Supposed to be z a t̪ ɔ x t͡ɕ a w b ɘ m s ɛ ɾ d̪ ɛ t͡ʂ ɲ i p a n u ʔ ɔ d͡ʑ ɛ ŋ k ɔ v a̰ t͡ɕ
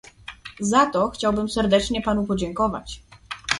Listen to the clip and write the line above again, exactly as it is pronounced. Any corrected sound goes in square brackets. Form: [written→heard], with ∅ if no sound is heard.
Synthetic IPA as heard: z a t̪ ɔ x t͡ɕ a w b ɘ m s ɛ ɾ d̪ ɛ t͡ʂ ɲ [i→ɛ] p a n u [ʔ→p] ɔ d͡ʑ ɛ ŋ k ɔ v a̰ t͡ɕ